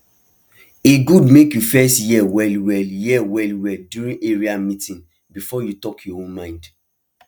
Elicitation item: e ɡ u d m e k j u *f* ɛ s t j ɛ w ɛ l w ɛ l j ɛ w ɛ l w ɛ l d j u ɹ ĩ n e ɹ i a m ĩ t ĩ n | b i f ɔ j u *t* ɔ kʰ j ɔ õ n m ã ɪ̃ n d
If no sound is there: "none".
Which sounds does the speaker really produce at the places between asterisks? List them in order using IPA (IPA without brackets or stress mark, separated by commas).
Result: f, t